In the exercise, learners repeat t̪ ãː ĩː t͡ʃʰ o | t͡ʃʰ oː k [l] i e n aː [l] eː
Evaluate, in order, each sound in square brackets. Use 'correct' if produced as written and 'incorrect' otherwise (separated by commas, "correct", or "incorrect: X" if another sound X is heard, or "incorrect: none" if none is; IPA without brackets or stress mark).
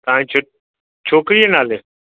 incorrect: ɾ, correct